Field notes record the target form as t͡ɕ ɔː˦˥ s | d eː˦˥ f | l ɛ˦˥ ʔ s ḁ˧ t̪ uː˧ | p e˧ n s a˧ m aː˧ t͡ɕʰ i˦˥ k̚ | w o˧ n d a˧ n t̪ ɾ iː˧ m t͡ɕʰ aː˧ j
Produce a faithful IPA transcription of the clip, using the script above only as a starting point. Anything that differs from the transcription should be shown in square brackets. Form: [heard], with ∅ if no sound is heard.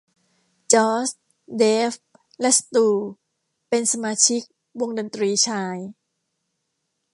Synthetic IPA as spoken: t͡ɕ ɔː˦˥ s | d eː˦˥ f | l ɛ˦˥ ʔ s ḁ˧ t̪ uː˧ | p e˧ n s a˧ m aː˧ t͡ɕʰ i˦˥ k̚ | w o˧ [ŋ] d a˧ n t̪ ɾ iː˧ [∅] t͡ɕʰ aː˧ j